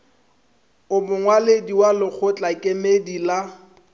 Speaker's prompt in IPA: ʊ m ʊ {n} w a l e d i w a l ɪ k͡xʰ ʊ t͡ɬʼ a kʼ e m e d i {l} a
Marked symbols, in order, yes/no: no, yes

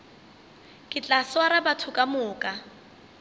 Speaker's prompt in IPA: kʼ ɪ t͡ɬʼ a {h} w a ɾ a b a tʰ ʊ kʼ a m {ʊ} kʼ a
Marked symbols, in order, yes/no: no, no

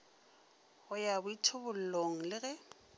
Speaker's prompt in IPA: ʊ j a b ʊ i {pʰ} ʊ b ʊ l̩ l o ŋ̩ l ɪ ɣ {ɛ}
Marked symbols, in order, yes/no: no, yes

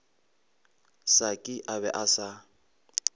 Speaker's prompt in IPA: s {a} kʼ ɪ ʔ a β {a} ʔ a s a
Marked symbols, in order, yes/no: yes, no

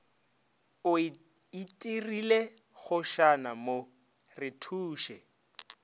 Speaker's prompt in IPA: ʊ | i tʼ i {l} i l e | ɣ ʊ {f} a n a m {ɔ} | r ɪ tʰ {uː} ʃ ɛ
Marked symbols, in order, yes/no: no, no, no, yes

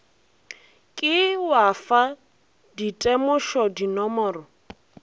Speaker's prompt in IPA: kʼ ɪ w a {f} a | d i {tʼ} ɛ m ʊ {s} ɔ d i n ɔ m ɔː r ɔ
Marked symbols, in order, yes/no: yes, yes, no

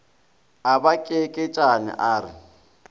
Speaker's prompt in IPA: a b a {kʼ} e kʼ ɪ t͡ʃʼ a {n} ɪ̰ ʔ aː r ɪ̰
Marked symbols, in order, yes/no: yes, yes

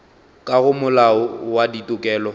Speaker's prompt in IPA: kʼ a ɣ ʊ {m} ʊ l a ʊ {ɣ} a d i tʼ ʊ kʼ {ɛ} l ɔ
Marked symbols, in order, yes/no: yes, no, no

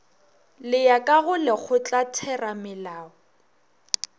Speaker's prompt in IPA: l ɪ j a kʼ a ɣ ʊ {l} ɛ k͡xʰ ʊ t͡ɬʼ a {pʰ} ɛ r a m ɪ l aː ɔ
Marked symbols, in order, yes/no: yes, no

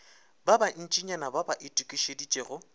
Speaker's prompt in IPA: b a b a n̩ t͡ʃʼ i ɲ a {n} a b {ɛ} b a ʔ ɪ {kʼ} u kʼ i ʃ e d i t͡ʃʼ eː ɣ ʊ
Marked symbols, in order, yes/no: yes, no, no

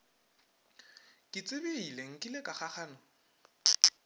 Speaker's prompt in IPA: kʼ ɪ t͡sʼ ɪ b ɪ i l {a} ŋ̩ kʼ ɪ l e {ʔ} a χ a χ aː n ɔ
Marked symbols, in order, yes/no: no, no

